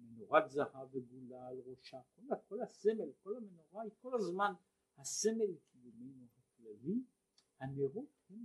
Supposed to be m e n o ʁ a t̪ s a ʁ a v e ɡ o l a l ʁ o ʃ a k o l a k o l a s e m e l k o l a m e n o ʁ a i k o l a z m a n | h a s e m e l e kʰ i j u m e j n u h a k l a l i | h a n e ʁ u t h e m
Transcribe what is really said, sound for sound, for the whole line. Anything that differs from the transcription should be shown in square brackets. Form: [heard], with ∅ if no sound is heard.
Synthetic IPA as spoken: m e n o ʁ a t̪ [z] a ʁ a v e ɡ [u] l a l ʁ o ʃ a k o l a k o l a s e m e l k o l a m e n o ʁ a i k o l a z m a n | h a s e m e l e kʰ i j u m e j n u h a k l a l i | h a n e ʁ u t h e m